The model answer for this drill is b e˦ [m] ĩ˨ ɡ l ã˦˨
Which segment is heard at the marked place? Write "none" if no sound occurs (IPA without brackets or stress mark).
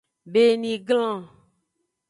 n